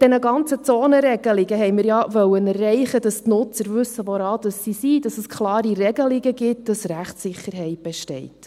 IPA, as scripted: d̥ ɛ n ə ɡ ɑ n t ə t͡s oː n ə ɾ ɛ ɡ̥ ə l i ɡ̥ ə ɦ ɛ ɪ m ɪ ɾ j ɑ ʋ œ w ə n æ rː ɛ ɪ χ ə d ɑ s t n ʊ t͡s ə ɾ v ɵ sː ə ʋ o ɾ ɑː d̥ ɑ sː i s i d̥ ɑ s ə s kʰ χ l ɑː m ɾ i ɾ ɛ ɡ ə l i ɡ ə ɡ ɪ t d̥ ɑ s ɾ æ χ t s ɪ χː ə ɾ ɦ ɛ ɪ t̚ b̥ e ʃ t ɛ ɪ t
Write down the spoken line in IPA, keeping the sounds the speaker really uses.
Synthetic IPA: d̥ ɛ n ə ɡ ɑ n t͡s ə t͡s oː n ə ɾ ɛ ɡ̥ ə l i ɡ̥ ə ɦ ɛ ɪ m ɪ ɾ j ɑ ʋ œ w ə n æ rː ɛ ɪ χ ə d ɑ s t n ʊ t͡s ə ɾ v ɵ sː ə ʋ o ɾ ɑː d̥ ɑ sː i s i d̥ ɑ s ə s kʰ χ l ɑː ɾ i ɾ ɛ ɡ ə l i ɡ ə ɡ ɪ t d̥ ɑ s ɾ æ χ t s ɪ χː ə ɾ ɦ ɛ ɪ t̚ b̥ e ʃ t ɛ ɪ t